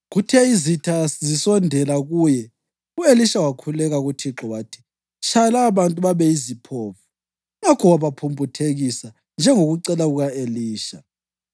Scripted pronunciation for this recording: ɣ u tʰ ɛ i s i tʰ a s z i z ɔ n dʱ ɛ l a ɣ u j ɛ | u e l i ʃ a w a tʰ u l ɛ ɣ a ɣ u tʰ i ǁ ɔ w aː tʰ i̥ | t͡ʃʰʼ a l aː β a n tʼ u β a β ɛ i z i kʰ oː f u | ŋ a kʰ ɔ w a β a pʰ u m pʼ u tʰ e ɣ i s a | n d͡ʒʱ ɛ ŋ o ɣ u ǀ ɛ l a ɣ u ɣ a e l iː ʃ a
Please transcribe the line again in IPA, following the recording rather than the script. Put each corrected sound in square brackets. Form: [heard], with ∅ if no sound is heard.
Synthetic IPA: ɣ u tʰ ɛ i [z] i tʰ a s z i [s] ɔ n dʱ ɛ l a ɣ u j ɛ | u e l i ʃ a w a [kʰ] u l ɛ ɣ a ɣ u tʰ i ǁ ɔ w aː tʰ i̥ | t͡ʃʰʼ a l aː β a n tʼ u β a β ɛ i z i [pʰ] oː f u | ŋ a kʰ ɔ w a β a pʰ u m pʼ u tʰ e ɣ i s a | n d͡ʒʱ ɛ ŋ o ɣ u ǀ ɛ l a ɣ u ɣ a e l iː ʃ a